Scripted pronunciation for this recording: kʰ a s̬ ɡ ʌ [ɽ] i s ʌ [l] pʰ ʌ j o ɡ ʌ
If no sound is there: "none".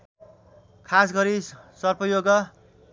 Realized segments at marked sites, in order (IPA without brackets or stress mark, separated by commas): ɾ, r